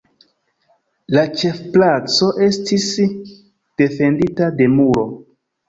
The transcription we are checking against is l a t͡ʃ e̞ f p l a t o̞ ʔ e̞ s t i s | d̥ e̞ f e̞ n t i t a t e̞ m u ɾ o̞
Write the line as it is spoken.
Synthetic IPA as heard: l a t͡ʃ e̞ f p l a t͡s o̞ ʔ e̞ s t i s | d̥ e̞ f e̞ n d i t a d e̞ m u ɾ o̞